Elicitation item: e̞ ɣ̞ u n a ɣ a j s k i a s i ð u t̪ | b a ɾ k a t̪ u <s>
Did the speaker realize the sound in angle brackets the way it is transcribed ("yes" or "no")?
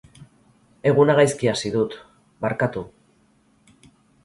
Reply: no